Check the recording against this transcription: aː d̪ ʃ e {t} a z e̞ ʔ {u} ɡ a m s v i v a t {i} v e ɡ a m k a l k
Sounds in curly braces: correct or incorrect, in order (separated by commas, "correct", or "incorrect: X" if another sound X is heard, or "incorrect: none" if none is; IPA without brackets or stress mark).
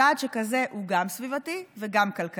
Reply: incorrect: k, correct, correct